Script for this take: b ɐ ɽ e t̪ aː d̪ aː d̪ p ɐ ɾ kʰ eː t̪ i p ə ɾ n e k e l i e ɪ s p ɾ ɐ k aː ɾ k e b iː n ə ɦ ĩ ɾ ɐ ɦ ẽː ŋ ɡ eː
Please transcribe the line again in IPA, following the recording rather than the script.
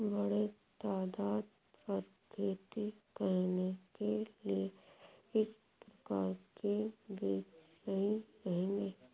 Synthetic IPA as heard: b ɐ ɽ e t̪ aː d̪ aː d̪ p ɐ ɾ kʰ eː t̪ i k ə ɾ n e k e l i e ɪ s p ɾ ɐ k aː ɾ k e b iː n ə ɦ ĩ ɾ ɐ ɦ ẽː ŋ ɡ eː